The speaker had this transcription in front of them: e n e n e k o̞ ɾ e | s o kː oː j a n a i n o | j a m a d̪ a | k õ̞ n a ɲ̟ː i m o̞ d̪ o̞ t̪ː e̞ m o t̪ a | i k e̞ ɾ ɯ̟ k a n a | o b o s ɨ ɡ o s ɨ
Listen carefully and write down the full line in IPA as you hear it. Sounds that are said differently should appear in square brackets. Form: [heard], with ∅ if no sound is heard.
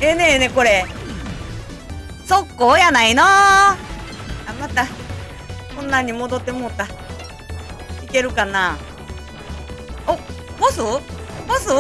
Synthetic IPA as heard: e n e n e k o̞ ɾ e | s o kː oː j a n a i n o | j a m a [t̪] a | k õ̞ [nː] a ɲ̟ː i m o̞ d̪ o̞ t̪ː e̞ m o t̪ a | i k e̞ ɾ ɯ̟ k a n a | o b o s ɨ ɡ o s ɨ